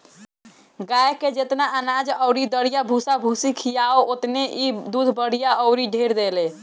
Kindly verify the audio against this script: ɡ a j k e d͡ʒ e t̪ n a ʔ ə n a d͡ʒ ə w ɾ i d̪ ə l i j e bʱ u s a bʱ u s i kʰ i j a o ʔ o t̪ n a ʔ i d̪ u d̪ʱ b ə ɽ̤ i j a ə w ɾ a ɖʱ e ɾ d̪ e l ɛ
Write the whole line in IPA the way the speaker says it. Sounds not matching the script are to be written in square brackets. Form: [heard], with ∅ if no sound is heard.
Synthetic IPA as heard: ɡ a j k e d͡ʒ e t̪ n a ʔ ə n a d͡ʒ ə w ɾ i d̪ ə [ɽ] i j [a] bʱ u s a bʱ u s i kʰ i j a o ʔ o t̪ n [e] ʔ i d̪ u d̪ʱ b ə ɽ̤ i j a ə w ɾ [i] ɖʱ e ɾ d̪ e l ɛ